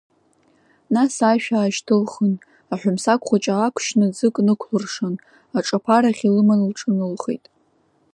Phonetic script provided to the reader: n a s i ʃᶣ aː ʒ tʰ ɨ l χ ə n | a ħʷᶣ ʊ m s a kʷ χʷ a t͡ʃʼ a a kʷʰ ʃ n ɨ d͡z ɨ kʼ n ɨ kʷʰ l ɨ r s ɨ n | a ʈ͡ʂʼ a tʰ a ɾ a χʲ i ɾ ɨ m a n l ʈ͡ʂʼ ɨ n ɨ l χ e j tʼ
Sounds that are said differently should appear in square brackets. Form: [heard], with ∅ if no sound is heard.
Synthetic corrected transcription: n a s [a] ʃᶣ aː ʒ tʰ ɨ l χ ə n | a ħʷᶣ ʊ m s a kʷ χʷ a t͡ʃʼ a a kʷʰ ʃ n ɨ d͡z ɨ kʼ n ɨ kʷʰ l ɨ r [ʂ] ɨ n | a ʈ͡ʂʼ a [pʰ] a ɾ a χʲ i [l] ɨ m a n l ʈ͡ʂʼ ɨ n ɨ l χ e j tʼ